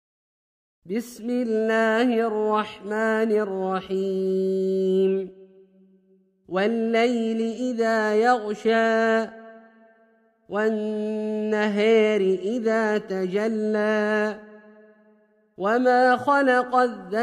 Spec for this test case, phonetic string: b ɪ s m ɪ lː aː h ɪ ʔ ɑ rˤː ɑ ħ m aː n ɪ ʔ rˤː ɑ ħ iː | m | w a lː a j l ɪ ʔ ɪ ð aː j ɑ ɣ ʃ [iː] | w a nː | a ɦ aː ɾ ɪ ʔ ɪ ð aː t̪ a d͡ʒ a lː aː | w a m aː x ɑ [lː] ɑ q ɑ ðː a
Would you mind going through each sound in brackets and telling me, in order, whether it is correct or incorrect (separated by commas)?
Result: incorrect, incorrect